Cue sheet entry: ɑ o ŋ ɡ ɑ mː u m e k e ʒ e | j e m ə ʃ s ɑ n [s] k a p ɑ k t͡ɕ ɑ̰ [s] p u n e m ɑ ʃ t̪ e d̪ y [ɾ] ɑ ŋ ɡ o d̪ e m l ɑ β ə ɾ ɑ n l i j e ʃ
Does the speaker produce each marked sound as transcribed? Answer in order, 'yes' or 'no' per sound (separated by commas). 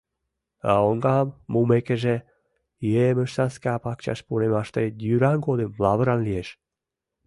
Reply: yes, no, yes